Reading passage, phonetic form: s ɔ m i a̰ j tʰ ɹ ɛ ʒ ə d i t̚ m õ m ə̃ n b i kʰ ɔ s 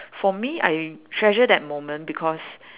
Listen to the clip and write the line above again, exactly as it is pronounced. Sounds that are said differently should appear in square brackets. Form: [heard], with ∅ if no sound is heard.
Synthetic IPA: [f] ɔ m i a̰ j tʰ ɹ ɛ ʒ ə d [ɛ] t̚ m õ m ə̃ n b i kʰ ɔ s